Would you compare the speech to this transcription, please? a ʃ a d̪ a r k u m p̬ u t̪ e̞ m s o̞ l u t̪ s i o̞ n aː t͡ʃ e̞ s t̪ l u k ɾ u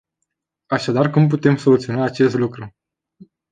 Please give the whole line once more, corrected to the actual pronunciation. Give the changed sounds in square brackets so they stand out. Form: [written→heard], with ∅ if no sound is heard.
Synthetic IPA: a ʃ a d̪ a r k u m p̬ u t̪ e̞ m s o̞ l u t̪ s i o̞ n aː t͡ʃ e̞ s t̪ l u k ɾ u